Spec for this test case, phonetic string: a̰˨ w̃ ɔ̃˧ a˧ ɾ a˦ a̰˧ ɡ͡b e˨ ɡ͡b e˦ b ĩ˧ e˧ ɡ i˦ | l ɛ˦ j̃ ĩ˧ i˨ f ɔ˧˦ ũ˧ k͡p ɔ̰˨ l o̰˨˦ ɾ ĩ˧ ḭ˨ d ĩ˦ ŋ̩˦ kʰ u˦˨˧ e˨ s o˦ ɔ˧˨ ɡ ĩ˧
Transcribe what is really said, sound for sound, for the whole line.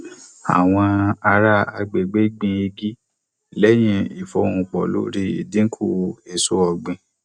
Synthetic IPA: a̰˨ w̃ ɔ̃˧ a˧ ɾ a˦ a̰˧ ɡ͡b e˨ ɡ͡b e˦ ɡ͡b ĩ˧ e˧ ɡ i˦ | l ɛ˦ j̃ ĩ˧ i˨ f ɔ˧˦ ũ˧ k͡p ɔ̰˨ l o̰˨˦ ɾ i˧ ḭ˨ d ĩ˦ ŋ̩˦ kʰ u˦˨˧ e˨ s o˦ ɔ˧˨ ɡ͡b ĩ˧